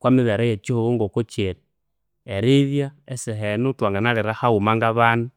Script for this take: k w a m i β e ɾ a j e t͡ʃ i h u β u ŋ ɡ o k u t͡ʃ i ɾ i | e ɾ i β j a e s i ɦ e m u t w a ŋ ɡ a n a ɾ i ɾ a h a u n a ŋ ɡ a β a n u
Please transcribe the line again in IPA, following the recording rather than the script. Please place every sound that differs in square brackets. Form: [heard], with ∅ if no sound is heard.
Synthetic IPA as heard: k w a m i β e ɾ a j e t͡ʃ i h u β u ŋ ɡ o k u t͡ʃ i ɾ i | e ɾ i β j a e s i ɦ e [n] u t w a ŋ ɡ a n a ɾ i ɾ a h a u [m] a ŋ ɡ a β a n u